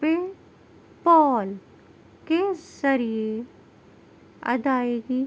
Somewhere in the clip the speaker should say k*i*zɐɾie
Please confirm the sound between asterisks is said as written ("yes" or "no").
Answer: no